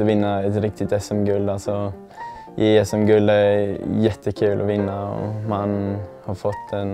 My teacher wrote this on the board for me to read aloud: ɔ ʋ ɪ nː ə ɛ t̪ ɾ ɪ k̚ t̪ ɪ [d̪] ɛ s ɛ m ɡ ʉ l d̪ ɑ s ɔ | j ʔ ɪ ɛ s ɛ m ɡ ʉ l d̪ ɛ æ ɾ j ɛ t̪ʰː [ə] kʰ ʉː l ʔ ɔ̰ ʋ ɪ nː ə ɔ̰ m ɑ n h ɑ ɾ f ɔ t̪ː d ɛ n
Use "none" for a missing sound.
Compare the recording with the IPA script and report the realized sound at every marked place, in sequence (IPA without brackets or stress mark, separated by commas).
t̪, ə